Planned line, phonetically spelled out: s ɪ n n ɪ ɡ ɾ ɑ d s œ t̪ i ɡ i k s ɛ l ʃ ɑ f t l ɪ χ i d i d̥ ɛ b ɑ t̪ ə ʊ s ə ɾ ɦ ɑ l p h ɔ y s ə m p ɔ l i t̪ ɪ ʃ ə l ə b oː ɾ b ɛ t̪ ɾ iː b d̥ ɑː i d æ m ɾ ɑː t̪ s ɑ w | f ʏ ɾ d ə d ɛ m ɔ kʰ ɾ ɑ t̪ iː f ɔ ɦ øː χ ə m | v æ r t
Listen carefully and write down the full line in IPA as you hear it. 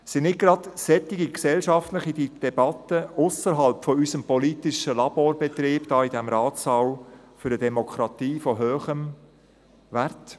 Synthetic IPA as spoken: s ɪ n n ɪ ɡ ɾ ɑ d s ɛ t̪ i ɡ i k s ɛ l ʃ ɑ f t l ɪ χ i d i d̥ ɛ b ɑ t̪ ə ʊ s ə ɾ ɦ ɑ l p f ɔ y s ə m p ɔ l i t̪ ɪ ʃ ə l ɑ b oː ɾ b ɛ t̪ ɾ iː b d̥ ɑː i d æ m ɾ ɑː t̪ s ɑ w | f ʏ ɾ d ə d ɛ m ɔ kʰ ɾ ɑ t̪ iː f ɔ ɦ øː χ ə m | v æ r t